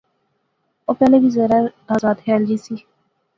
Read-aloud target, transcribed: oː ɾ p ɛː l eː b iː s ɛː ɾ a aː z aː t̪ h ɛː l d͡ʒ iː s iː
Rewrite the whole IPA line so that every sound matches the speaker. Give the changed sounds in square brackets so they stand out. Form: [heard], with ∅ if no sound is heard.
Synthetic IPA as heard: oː [∅] p ɛː l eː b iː [z] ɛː ɾ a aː z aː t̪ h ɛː l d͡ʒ iː s iː